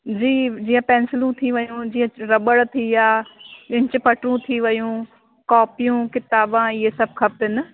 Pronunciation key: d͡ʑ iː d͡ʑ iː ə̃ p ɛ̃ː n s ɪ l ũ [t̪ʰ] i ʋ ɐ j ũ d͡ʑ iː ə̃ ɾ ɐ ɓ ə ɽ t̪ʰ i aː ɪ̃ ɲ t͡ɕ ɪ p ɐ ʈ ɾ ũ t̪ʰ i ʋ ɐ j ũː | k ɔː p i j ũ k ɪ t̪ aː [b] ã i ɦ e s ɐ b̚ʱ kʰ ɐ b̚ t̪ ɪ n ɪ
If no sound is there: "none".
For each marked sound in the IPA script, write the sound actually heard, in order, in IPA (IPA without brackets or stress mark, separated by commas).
t̪ʰ, b